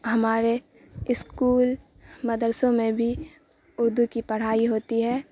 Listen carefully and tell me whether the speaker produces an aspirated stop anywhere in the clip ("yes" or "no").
no